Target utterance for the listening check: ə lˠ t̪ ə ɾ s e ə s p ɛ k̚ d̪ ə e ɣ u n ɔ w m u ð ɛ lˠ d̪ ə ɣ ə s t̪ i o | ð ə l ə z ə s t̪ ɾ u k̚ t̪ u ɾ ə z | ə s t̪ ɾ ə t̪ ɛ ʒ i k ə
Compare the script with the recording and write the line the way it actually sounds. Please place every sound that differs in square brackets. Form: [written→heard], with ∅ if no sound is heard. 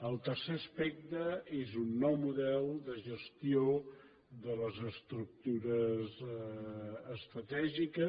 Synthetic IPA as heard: ə lˠ t̪ ə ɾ s e ə s p ɛ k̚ [d̪→t̪] ə e [ɣ→z] u [n→nː] ɔ w m u ð ɛ lˠ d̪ ə [ɣ→ʒ] ə s t̪ i o | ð ə l ə z ə s t̪ ɾ u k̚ t̪ u ɾ ə z | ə s t̪ ɾ ə t̪ ɛ ʒ i k ə